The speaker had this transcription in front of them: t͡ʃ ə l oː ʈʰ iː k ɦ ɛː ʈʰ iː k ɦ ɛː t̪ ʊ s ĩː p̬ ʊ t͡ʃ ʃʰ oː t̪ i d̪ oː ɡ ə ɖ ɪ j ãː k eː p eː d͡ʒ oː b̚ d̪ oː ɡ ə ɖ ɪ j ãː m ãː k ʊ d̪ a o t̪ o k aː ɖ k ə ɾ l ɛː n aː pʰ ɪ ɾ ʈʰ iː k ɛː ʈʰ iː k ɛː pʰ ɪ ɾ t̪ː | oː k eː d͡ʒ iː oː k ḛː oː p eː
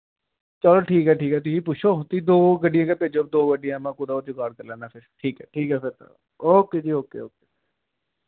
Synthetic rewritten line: t͡ʃ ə l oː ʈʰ iː k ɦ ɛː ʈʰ iː k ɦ ɛː t̪ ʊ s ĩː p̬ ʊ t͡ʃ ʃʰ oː t̪ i d̪ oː ɡ ə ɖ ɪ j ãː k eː p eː d͡ʒ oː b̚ d̪ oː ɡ ə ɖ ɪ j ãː m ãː k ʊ d̪ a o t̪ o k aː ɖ k ə ɾ l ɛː n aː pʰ ɪ ɾ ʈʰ iː k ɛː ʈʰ iː k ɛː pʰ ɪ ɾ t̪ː | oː k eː d͡ʒ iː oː k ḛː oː k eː

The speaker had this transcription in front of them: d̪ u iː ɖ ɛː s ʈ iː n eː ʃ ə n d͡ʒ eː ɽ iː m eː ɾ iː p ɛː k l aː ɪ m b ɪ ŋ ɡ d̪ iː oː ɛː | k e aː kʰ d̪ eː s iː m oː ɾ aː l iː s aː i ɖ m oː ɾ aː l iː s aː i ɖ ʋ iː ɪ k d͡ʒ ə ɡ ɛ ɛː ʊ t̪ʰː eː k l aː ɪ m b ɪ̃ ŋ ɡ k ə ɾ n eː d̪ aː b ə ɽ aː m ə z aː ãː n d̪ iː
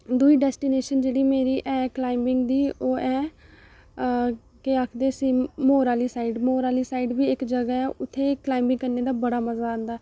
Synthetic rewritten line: d̪ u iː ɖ ɛː s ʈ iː n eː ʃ ə n d͡ʒ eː ɽ iː m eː ɾ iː ʔ ɛː k l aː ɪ m b ɪ ŋ ɡ d̪ iː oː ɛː | k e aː kʰ d̪ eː s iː m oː ɾ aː l iː s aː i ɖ m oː ɾ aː l iː s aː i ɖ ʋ iː ɪ k d͡ʒ ə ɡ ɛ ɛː ʊ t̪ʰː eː k l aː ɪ m b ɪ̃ ŋ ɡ k ə ɾ n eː d̪ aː b ə ɽ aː m ə z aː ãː n d̪ aː

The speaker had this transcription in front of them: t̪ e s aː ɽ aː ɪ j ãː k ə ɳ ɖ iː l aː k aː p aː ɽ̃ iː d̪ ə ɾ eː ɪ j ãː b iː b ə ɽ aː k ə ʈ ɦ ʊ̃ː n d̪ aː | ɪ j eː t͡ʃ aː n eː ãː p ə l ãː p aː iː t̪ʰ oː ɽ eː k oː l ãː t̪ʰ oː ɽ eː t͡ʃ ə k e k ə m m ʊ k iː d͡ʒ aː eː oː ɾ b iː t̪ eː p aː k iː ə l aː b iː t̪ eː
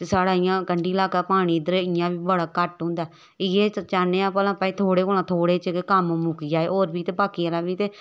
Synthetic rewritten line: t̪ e s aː ɽ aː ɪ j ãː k ə ɳ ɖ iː l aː k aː p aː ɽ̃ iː d̪ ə ɾ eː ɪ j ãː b iː b ə ɽ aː k ə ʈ ɦ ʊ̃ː n d̪ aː | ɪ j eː t͡ʃ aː n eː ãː p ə l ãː p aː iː t̪ʰ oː ɽ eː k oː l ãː t̪ʰ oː ɽ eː t͡ʃ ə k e k ə m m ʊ k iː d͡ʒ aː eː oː ɾ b iː t̪ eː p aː k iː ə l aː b iː t̪ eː

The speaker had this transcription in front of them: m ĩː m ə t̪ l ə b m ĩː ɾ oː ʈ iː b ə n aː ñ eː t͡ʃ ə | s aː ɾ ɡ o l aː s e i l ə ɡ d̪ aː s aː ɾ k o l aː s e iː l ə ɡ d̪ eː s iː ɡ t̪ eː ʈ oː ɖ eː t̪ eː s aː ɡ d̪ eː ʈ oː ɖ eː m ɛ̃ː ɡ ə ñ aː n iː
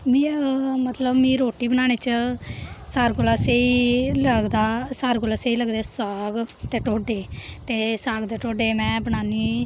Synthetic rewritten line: m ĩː m ə t̪ l ə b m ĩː ɾ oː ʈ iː b ə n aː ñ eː t͡ʃ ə | s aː ɾ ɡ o l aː s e i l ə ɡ d̪ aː s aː ɾ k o l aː s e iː l ə ɡ d̪ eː s aː ɡ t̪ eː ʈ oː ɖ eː t̪ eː s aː ɡ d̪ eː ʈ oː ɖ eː m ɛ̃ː b ə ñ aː n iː

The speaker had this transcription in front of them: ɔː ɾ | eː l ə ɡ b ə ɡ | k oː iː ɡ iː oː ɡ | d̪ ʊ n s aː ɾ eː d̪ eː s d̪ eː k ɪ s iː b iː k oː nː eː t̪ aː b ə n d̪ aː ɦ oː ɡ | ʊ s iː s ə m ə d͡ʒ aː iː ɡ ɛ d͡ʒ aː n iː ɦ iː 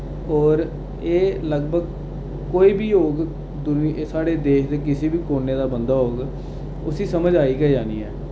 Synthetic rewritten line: ɔː ɾ | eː l ə ɡ b ə ɡ | k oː iː b iː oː ɡ | d̪ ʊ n s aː ɽ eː d̪ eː ʃ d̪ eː k ɪ s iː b iː k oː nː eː d̪ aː b ə n d̪ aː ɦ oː ɡ | ʊ s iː s ə m ə d͡ʒ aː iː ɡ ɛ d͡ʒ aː n iː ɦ ɛː

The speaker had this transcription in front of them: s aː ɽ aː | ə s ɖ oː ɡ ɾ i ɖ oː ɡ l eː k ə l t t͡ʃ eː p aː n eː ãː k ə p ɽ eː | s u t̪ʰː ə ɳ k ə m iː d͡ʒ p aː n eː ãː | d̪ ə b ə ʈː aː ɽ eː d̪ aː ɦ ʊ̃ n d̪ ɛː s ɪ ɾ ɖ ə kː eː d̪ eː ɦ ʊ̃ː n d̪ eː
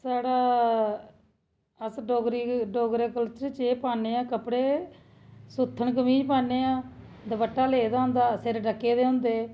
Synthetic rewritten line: s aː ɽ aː | ə s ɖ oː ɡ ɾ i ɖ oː ɡ ɾ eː k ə l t t͡ʃ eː p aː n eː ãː k ə p ɽ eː | s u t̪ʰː ə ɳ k ə m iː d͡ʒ p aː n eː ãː | d̪ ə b ə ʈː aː l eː d̪ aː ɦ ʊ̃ n d̪ aː s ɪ ɾ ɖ ə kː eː d̪ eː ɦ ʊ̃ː n d̪ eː

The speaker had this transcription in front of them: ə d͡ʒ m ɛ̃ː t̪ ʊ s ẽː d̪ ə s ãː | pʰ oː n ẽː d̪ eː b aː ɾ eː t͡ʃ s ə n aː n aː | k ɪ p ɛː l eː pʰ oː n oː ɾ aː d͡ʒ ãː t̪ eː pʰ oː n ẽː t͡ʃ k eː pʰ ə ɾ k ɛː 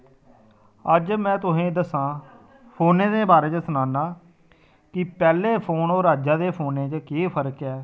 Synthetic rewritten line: ə d͡ʒ m ɛ̃ː t̪ ʊ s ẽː d̪ ə s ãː | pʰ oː n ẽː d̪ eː b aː ɾ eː t͡ʃ s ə n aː n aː | k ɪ p ɛː l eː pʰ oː n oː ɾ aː d͡ʒ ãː d̪ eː pʰ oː n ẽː t͡ʃ k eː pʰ ə ɾ k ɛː

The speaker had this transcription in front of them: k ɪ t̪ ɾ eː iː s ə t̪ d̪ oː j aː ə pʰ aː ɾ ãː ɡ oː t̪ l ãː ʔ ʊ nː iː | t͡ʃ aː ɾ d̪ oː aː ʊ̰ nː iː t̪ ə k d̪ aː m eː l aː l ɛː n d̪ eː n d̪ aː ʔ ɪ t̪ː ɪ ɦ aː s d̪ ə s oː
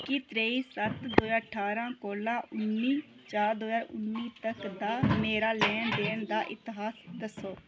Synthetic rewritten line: k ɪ t̪ ɾ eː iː s ə t̪ d̪ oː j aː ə ʈʰ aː ɾ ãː k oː l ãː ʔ ʊ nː iː | t͡ʃ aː ɾ d̪ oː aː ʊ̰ nː iː t̪ ə k d̪ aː m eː ɾ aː l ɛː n d̪ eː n d̪ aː ʔ ɪ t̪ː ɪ ɦ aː s d̪ ə s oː

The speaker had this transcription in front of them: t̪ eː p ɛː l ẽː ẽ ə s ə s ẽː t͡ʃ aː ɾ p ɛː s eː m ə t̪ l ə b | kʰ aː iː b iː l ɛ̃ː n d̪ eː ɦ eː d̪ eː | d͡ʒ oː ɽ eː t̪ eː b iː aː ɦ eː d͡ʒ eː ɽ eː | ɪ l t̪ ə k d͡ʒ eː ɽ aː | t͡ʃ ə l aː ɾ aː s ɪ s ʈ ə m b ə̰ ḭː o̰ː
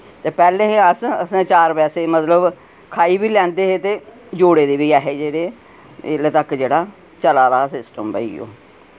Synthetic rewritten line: t̪ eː p ɛː l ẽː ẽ ə s ə s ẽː t͡ʃ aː ɾ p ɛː s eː m ə t̪ l ə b | kʰ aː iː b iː l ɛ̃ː n d̪ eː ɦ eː t̪ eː | d͡ʒ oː ɽ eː d̪ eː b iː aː ɦ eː d͡ʒ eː ɽ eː | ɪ l t̪ ə k d͡ʒ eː ɽ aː | t͡ʃ ə l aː ɾ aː s ɪ s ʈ ə m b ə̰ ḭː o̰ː

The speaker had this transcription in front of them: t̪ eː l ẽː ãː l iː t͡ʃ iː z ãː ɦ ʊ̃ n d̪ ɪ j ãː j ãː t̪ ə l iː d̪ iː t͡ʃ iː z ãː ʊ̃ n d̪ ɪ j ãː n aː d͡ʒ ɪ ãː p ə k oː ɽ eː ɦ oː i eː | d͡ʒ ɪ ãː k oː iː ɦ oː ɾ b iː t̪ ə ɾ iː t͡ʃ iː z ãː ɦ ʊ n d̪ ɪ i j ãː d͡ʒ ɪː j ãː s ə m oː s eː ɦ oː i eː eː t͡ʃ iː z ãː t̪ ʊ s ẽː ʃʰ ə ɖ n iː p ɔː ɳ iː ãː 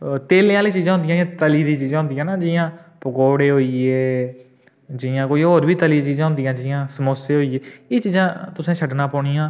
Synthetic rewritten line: t̪ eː l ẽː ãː l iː t͡ʃ iː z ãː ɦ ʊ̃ n d̪ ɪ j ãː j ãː t̪ ə l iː d̪ iː t͡ʃ iː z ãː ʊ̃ n d̪ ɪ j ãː n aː d͡ʒ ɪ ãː p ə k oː ɽ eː ɦ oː i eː | d͡ʒ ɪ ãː k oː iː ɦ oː ɾ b iː t̪ ə l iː t͡ʃ iː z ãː ɦ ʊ n d̪ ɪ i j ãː d͡ʒ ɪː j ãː s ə m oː s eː ɦ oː i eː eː t͡ʃ iː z ãː t̪ ʊ s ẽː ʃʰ ə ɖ n aː p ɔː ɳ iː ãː

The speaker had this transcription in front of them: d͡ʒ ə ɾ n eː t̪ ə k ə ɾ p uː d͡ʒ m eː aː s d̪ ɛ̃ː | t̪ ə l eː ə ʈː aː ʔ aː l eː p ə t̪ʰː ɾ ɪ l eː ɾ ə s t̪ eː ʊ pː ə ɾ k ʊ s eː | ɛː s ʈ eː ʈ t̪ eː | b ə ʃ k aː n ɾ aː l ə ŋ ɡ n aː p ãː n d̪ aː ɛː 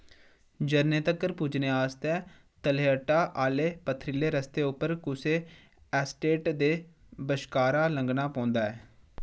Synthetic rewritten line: d͡ʒ ə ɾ n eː t̪ ə k ə ɾ p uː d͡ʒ n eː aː s t̪ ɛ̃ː | t̪ ə l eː ə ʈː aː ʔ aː l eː p ə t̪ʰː ɾ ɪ l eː ɾ ə s t̪ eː ʊ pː ə ɾ k ʊ s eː | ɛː s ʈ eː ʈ d̪ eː | b ə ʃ k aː ɾ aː l ə ŋ ɡ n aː p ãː n d̪ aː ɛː

